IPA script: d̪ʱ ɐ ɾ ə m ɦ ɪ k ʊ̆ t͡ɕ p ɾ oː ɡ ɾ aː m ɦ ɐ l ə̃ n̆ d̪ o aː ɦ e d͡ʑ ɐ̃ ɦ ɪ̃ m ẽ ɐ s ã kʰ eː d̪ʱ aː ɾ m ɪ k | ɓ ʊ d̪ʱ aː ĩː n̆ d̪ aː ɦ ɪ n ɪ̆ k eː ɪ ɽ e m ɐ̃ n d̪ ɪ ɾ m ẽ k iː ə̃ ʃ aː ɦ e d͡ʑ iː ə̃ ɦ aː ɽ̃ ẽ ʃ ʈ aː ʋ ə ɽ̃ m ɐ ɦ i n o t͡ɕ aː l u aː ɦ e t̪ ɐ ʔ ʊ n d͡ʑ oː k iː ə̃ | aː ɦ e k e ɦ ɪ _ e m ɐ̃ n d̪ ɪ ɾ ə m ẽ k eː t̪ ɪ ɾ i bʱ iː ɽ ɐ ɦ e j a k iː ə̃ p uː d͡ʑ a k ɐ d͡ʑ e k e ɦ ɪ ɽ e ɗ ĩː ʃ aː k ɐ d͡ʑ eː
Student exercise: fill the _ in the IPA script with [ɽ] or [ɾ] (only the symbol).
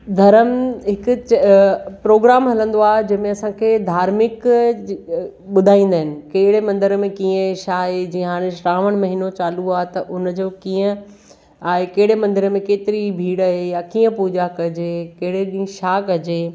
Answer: ɽ